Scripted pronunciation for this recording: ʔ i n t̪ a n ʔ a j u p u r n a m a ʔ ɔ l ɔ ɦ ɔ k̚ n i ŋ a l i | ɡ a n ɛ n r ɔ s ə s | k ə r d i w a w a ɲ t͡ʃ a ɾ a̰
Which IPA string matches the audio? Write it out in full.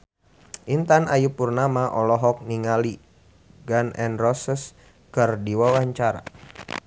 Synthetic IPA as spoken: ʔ i n t̪ a n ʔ a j u p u r n a m a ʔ ɔ l ɔ ɦ ɔ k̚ n i ŋ a l i | ɡ a n ɛ n r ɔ s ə s | k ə r d i w a w a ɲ t͡ʃ a ɾ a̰